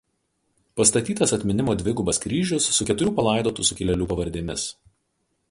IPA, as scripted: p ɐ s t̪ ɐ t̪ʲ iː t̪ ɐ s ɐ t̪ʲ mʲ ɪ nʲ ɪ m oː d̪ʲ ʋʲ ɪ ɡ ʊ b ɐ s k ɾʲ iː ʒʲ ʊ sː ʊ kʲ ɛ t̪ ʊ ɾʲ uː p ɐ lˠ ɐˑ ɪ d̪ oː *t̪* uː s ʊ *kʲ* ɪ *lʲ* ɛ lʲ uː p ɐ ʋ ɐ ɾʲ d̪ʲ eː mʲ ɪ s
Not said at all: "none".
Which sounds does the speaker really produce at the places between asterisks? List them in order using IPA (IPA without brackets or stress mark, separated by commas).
t̪, kʲ, lʲ